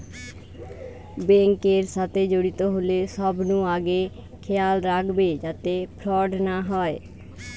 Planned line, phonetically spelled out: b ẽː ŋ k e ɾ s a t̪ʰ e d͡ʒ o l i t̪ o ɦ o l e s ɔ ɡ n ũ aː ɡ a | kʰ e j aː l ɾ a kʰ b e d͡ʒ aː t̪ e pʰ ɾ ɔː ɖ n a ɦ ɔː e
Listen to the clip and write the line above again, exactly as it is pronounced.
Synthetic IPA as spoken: b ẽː ŋ k e ɾ s a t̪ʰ e d͡ʒ o ɽ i t̪ o ɦ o l e s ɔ b n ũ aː ɡ e | kʰ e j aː l ɾ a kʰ b e d͡ʒ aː t̪ e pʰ ɾ ɔː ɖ n a ɦ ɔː e